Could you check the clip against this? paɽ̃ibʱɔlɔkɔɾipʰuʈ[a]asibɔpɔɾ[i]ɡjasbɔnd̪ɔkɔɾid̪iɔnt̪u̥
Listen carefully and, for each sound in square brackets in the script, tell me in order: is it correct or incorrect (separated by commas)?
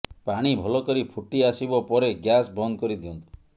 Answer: incorrect, incorrect